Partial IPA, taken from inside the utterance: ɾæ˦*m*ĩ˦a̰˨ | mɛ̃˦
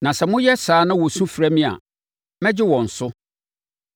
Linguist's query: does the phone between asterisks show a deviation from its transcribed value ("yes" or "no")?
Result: no